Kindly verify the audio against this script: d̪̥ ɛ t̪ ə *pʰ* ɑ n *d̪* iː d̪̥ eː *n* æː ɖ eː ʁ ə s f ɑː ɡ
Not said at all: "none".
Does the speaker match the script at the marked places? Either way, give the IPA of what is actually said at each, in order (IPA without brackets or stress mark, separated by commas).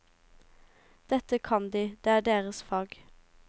kʰ, d̪, none